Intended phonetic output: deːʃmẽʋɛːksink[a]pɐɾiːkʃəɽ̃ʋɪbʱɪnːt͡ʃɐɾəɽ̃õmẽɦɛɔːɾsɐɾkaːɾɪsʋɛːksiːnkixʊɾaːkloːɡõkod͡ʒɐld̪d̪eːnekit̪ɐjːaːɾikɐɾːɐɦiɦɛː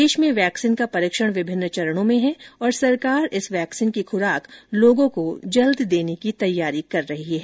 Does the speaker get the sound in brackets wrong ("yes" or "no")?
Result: no